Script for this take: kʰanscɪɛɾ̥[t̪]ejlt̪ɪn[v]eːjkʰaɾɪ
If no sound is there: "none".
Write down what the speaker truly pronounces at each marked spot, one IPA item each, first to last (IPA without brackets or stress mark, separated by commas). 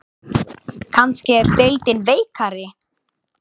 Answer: t̪, v